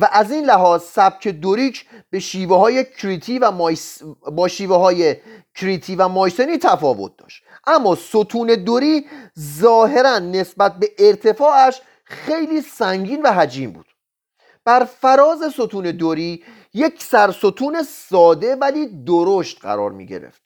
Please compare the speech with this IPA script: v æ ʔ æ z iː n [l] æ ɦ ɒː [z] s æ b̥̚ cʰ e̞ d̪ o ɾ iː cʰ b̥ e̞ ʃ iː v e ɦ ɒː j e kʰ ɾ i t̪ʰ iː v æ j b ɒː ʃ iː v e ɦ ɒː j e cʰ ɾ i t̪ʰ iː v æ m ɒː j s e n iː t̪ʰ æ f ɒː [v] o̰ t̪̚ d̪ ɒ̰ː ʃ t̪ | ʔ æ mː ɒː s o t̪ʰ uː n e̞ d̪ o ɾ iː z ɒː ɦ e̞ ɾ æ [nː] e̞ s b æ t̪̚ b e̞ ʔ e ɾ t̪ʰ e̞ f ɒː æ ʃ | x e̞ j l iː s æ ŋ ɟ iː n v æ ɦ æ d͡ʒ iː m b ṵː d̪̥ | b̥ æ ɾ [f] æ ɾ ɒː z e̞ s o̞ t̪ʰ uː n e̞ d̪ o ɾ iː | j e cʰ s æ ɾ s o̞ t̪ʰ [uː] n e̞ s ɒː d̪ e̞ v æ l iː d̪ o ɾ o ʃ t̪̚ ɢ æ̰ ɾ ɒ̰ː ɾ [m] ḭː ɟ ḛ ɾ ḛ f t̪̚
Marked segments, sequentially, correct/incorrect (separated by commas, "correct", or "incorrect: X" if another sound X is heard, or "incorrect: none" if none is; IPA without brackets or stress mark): correct, correct, correct, correct, correct, correct, correct